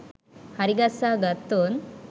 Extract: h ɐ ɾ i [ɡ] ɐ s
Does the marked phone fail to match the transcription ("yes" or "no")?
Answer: no